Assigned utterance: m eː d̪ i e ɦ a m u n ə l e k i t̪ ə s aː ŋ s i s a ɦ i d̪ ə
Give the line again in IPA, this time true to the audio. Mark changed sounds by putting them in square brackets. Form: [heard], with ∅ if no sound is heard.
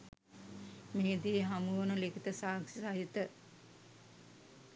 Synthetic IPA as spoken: m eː d̪ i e ɦ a m u n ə l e k i t̪ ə s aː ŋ s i s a ɦ i [t̪] ə